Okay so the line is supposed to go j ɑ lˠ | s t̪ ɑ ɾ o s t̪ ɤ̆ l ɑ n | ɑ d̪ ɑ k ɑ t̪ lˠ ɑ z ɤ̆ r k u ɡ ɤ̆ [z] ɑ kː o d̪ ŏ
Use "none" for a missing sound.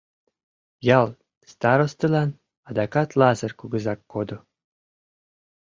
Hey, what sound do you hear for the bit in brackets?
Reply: z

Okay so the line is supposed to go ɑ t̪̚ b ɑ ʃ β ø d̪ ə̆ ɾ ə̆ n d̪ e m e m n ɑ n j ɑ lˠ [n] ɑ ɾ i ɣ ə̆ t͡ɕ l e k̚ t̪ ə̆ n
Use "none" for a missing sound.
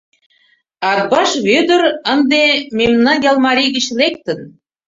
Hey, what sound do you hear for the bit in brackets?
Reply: m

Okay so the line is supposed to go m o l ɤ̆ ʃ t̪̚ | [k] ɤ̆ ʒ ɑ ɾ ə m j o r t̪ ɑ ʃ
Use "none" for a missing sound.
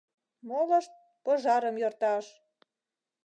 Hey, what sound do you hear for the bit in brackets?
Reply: p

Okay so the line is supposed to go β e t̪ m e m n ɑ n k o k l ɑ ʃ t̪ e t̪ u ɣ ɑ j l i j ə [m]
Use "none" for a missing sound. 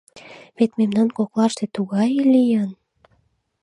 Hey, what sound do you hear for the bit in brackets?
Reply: n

